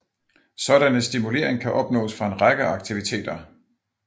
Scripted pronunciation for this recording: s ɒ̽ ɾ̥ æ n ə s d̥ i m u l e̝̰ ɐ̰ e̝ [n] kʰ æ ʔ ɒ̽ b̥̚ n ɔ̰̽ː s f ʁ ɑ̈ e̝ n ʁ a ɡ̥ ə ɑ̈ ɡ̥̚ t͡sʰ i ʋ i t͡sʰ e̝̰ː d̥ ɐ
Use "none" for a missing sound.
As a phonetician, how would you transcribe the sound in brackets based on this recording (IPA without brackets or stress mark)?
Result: ŋ